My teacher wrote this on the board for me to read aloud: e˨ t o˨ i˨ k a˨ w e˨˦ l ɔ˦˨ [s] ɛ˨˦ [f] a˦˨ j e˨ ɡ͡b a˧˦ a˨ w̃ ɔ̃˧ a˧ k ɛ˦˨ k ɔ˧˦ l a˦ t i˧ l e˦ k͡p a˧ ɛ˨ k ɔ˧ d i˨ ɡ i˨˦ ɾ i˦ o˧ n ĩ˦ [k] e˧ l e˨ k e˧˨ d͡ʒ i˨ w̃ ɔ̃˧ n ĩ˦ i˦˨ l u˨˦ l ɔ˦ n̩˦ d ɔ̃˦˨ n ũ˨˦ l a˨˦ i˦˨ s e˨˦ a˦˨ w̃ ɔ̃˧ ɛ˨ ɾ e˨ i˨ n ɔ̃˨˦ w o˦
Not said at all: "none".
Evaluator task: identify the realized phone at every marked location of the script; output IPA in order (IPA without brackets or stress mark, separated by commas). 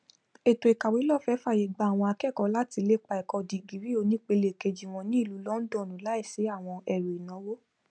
f, f, k͡p